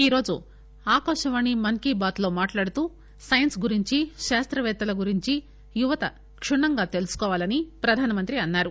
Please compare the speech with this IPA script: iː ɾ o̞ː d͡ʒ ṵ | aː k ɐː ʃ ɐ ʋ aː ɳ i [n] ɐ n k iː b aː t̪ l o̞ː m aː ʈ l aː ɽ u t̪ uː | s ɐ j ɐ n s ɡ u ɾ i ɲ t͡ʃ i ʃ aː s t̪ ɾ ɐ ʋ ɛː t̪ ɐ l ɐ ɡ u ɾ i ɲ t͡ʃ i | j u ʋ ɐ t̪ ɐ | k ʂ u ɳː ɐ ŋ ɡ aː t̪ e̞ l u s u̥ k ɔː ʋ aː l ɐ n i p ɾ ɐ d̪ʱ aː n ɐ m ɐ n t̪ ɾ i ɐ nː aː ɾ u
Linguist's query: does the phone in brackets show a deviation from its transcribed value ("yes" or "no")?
yes